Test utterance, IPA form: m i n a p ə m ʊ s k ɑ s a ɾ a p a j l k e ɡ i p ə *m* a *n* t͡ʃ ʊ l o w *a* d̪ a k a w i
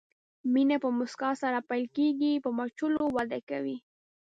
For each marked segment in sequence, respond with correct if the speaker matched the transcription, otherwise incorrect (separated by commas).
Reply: correct, incorrect, correct